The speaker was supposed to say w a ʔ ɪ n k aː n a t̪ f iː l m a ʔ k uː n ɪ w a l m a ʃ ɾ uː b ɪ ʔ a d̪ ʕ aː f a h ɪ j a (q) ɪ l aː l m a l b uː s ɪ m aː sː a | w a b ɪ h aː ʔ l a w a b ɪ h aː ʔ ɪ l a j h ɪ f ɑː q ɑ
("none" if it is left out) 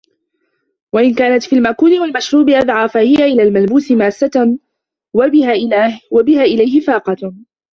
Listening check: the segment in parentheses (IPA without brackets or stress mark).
ʔ